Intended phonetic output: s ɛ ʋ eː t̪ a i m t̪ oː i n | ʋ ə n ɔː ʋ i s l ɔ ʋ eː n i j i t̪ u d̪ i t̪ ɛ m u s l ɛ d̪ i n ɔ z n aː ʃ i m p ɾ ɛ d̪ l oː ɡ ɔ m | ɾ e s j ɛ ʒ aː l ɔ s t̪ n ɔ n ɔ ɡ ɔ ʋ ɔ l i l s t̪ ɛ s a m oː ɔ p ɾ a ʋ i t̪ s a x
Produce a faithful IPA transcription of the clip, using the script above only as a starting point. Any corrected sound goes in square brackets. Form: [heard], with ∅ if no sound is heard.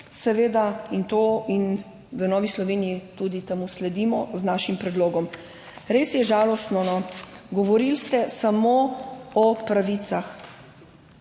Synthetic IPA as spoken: s ɛ ʋ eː [d̪] a i [n] t̪ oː i n | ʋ ə n ɔː ʋ i s l ɔ ʋ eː n i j i t̪ u d̪ i t̪ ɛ m u s l ɛ d̪ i [m] ɔ z n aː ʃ i m p ɾ ɛ d̪ l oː ɡ ɔ m | ɾ e s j ɛ ʒ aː l ɔ s t̪ n ɔ n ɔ ɡ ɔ ʋ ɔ [ɾ] i l s t̪ ɛ s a m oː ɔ p ɾ a ʋ i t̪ s a x